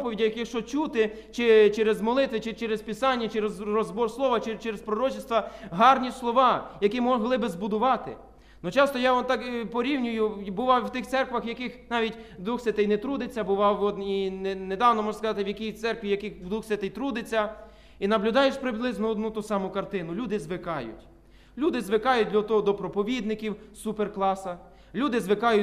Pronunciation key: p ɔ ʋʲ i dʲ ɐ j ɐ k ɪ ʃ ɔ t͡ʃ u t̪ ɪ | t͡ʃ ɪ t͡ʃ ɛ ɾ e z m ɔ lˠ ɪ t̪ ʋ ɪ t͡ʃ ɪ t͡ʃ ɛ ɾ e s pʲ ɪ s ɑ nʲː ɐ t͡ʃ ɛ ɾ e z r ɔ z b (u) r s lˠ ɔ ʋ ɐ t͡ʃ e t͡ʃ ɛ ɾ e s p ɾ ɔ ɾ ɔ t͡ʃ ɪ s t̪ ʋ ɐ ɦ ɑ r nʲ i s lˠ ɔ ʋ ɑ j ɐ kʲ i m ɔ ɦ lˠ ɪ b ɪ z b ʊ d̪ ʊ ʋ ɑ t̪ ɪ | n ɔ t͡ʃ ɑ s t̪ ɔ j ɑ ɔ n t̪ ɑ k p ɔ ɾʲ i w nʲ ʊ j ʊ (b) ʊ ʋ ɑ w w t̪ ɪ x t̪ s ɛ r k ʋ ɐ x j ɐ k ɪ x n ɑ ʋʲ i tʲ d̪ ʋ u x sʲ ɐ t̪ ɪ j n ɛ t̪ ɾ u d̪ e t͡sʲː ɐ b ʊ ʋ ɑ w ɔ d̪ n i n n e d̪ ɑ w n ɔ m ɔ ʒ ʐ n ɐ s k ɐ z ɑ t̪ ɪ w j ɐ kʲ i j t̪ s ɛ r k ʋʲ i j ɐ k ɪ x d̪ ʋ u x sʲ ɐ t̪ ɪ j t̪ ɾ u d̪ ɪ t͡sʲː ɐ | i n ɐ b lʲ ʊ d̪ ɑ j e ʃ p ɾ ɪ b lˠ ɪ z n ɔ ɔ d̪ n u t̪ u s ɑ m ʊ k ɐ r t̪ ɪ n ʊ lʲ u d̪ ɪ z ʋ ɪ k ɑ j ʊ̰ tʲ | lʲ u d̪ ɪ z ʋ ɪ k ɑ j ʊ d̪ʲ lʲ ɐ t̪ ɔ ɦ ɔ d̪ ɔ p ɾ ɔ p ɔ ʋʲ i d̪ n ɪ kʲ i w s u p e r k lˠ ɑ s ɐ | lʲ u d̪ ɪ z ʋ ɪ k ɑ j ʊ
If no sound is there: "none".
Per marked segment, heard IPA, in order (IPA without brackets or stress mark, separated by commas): ɔ, b